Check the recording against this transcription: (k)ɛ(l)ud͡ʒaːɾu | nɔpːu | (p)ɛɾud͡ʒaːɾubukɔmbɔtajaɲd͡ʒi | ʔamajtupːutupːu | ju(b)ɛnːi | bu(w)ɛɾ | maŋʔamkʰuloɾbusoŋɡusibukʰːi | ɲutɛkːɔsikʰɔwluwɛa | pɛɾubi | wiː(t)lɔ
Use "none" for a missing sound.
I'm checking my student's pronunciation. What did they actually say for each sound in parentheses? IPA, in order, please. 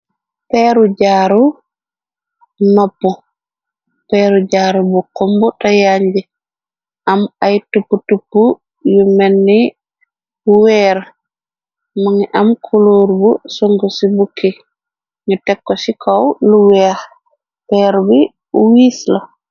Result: p, ɾ, p, m, w, s

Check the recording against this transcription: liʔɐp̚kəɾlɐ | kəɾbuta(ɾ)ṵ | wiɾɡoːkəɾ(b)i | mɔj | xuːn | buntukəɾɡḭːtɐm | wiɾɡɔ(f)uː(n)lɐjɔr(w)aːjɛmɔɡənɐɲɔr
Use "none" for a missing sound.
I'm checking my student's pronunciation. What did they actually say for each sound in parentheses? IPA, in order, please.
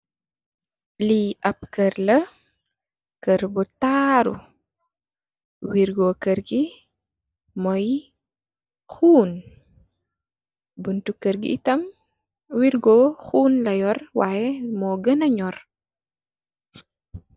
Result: ɾ, ɡ, x, n, w

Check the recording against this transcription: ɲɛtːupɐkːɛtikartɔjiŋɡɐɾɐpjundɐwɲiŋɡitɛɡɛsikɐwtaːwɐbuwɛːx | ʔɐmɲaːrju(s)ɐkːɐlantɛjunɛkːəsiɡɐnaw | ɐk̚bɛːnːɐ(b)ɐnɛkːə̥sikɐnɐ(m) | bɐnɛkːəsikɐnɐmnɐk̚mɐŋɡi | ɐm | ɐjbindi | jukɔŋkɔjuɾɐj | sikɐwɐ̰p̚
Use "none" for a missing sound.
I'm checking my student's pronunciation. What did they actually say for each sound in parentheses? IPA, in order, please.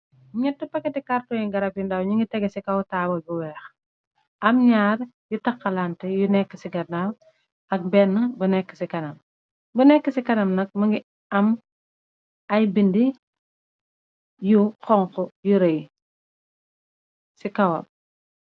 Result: t, b, m

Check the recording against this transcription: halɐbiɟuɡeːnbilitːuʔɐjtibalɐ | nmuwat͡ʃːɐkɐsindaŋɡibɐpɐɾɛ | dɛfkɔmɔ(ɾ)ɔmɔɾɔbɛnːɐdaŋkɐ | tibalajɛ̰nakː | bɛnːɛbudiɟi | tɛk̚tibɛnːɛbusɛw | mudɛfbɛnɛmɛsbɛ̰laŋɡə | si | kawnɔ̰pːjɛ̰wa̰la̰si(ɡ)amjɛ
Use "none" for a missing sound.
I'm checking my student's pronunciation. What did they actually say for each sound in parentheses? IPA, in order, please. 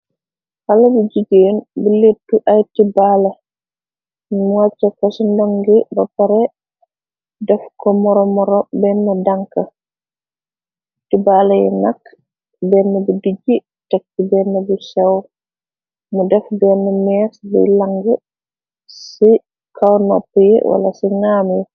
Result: ɾ, ŋ

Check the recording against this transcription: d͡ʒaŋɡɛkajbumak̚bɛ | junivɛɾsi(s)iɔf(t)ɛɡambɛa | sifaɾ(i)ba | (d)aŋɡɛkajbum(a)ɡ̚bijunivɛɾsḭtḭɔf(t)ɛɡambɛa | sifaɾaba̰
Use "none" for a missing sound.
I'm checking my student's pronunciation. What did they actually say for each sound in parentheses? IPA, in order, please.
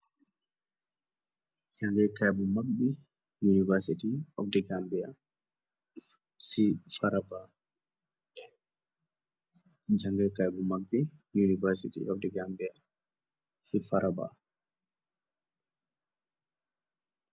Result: t, d, a, d͡ʒ, a, d

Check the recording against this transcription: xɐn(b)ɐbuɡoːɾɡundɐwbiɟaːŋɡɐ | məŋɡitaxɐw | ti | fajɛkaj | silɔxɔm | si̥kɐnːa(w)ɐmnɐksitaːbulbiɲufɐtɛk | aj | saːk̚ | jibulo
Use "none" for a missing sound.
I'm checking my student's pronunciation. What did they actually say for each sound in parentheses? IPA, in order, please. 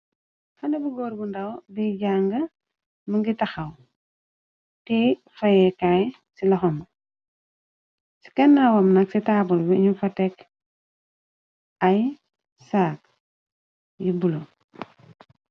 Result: d, w

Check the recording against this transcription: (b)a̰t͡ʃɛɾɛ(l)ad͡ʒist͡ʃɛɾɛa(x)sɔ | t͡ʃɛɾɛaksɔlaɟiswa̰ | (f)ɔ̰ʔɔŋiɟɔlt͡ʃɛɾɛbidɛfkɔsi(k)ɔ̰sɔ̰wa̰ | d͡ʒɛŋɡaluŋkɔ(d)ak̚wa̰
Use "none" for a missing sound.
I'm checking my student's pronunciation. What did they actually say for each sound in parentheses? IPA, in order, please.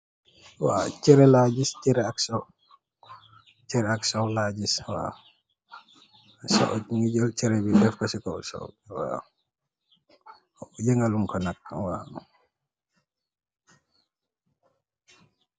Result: w, l, k, s, k, n

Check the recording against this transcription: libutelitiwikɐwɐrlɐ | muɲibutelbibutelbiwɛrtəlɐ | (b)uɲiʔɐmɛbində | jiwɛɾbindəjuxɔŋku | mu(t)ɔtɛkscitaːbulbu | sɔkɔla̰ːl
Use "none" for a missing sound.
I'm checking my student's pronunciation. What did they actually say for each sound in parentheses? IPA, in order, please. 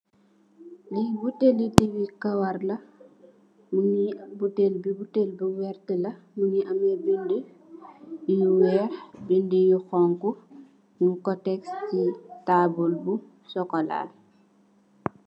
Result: m, k

